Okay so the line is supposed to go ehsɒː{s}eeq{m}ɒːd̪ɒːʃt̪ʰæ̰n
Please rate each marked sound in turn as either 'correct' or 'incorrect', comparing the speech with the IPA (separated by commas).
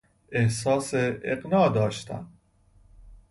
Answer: correct, incorrect